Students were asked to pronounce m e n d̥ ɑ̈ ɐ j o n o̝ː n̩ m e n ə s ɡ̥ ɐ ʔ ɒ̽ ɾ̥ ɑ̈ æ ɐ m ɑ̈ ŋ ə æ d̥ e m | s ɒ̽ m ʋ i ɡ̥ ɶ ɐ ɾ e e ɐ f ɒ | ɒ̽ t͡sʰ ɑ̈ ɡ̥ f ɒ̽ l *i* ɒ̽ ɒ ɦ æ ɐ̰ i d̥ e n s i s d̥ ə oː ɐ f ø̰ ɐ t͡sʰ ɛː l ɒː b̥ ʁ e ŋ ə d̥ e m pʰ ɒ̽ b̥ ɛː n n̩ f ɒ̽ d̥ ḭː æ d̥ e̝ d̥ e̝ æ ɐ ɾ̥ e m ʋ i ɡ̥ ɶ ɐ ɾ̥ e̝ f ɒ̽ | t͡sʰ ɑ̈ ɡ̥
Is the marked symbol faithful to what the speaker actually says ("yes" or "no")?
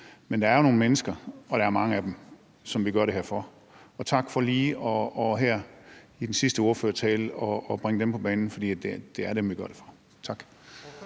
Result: no